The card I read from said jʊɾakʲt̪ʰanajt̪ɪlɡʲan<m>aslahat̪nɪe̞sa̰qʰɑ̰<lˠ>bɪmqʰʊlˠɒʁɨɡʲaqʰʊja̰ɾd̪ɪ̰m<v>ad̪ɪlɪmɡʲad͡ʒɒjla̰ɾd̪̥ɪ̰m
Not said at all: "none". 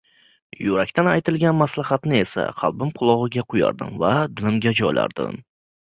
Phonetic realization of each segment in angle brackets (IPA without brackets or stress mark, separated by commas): m, lˠ, v